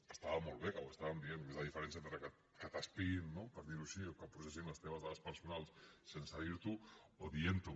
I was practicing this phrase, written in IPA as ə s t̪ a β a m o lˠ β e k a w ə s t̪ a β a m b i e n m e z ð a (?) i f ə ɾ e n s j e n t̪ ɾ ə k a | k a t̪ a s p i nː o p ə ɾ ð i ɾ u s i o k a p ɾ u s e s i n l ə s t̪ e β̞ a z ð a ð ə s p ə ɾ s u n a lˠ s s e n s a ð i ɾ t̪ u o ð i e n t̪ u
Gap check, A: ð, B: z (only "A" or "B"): A